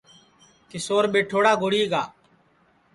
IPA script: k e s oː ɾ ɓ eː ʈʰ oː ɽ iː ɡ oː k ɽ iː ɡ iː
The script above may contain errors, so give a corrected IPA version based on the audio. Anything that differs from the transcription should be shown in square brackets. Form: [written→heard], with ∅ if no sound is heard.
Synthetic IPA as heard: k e s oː ɾ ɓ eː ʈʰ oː ɽ [iː→aː] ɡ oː [k→∅] ɽ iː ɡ [iː→aː]